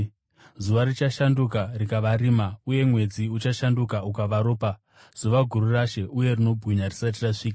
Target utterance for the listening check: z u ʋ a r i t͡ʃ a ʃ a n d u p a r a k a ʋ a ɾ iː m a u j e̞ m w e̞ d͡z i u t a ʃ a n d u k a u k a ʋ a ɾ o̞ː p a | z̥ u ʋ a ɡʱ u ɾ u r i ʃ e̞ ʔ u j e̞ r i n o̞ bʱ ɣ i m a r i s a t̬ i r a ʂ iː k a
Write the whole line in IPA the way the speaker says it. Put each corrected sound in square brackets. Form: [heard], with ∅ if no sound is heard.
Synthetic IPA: z u ʋ a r i t͡ʃ a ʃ a n d u [k] a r [i] k a ʋ a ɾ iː m a u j e̞ m w e̞ d͡z i u [t͡ʃ] a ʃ a n d u k a u k a ʋ a ɾ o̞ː p a | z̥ u ʋ a ɡʱ u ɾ u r [a] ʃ e̞ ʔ u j e̞ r i n o̞ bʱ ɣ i [ɲ] a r i s a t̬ i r a ʂ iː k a

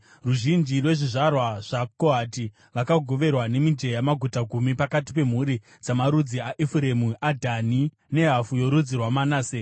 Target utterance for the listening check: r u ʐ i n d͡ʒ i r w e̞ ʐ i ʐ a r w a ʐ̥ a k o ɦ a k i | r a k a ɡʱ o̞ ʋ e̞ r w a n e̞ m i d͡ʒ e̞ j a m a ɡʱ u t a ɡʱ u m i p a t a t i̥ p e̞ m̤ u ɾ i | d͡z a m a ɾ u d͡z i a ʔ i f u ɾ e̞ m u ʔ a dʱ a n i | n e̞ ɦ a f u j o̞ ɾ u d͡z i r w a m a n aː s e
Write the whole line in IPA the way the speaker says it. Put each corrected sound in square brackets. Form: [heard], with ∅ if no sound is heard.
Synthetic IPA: r u [ʒ] i n d͡ʒ i r w e̞ ʐ i ʐ a r w a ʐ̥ a k o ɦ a [t] i | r a k a ɡʱ o̞ ʋ e̞ r w a n e̞ m i d͡ʒ e̞ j a m a ɡʱ u t a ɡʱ u m i p a [k] a t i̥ p e̞ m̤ u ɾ i | d͡z a m a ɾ u d͡z i a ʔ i f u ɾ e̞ m u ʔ a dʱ a n i | n e̞ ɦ a f u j o̞ ɾ u d͡z i r w a m a n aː s e

